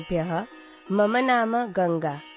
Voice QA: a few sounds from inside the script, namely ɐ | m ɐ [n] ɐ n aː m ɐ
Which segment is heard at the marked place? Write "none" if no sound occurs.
m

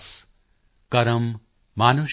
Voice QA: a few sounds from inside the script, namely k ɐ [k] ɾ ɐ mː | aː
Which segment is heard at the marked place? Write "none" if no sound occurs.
none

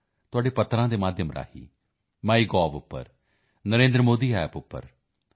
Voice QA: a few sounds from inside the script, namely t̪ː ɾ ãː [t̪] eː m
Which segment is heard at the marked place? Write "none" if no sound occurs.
d̪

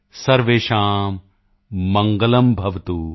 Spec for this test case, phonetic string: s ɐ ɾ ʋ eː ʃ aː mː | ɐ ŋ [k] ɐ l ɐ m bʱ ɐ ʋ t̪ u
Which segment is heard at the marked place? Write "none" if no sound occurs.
ɡ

